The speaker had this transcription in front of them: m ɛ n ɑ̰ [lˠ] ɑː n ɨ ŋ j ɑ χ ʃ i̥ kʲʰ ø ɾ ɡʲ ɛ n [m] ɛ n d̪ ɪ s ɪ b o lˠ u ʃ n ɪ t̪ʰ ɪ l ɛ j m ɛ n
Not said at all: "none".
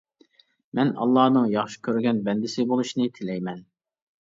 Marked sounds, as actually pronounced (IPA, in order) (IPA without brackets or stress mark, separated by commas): lˠː, b